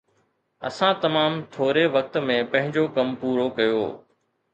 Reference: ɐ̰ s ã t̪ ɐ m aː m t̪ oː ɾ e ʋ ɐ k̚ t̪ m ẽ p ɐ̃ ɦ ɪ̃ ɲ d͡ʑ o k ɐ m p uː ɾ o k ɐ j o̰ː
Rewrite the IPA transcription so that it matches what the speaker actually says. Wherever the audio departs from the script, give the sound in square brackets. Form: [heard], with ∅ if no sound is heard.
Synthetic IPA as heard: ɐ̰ s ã t̪ ɐ m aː m [t̪ʰ] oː ɾ e ʋ ɐ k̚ t̪ m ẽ p ɐ̃ ɦ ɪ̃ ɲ d͡ʑ o k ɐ m p uː ɾ o k ɐ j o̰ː